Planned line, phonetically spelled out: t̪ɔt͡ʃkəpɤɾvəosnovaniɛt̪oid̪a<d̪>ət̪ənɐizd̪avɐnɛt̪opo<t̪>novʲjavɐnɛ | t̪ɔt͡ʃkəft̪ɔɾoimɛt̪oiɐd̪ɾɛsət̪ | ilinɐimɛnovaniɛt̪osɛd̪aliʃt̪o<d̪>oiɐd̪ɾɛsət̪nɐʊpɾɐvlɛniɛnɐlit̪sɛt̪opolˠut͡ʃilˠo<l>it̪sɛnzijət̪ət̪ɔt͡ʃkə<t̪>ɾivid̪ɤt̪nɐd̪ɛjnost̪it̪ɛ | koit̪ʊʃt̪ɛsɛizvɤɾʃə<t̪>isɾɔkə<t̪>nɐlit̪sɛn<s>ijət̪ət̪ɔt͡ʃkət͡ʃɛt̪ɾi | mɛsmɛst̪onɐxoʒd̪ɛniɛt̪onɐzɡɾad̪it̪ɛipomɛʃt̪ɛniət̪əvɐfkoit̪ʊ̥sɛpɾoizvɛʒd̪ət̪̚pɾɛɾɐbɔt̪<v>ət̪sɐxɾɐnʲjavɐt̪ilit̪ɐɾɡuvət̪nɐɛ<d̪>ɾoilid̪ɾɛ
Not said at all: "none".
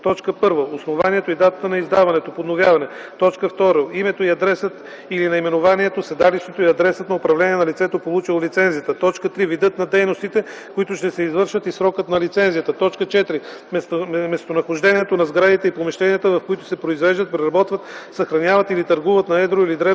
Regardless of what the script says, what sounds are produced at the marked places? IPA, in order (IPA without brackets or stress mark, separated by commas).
t̪, d̪, t̪, l, t̪, t̪, t̪, z, v, d̪